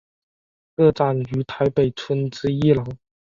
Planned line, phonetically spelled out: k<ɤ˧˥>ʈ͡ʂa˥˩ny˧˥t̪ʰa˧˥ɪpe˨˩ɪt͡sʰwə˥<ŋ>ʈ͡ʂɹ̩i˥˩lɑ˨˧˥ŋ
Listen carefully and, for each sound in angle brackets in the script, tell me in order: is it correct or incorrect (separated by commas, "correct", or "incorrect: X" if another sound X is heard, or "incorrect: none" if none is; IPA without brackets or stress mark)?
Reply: incorrect: ɤ˥˧, incorrect: n